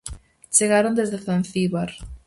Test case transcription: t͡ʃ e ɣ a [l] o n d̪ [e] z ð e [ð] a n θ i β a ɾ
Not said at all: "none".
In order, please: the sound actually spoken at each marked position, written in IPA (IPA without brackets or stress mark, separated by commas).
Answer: ɾ, e, θ